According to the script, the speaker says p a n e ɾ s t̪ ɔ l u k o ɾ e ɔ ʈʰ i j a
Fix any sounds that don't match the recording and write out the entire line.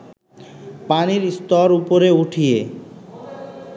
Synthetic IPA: p a n i ɾ s t̪ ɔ ɾ u p o ɾ e u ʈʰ i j e